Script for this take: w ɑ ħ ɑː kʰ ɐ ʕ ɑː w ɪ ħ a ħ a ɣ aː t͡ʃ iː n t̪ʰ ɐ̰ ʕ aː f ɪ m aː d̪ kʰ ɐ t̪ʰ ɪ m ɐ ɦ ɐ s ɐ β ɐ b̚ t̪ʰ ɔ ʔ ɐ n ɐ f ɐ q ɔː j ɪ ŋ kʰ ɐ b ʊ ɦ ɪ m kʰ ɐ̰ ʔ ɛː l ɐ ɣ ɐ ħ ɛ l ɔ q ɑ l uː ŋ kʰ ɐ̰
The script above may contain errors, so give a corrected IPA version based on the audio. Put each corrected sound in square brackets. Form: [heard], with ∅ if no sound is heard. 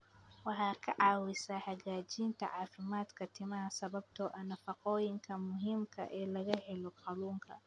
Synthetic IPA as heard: w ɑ ħ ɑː kʰ ɐ ʕ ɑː w ɪ [s] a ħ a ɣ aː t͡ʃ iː n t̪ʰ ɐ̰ ʕ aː f ɪ m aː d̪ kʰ ɐ t̪ʰ ɪ m ɐ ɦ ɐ s ɐ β ɐ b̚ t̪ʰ ɔ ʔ ɐ n ɐ f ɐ q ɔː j ɪ ŋ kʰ ɐ [m] ʊ ɦ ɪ m kʰ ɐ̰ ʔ ɛː l ɐ ɣ ɐ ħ ɛ l ɔ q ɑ l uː ŋ kʰ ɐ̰